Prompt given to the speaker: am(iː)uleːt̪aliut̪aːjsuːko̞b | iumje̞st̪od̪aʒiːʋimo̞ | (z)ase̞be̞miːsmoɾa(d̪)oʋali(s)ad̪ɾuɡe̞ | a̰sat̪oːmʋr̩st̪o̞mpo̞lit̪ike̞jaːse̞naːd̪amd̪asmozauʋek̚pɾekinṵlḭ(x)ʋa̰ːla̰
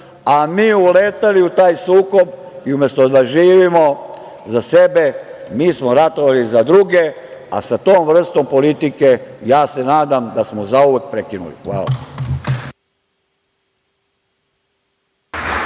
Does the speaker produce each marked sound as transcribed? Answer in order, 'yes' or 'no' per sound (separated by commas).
yes, yes, no, no, yes